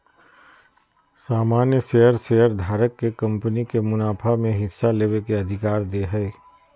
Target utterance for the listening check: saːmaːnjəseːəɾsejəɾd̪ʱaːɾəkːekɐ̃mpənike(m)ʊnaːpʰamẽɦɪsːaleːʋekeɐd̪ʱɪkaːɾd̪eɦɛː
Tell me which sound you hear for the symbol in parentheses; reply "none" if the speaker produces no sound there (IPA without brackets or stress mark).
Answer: m